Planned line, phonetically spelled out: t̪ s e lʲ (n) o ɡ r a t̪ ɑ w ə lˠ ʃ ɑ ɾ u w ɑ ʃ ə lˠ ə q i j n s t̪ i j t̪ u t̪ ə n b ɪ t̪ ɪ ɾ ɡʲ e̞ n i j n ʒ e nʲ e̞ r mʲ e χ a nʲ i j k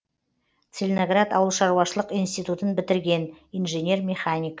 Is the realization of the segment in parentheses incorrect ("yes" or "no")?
no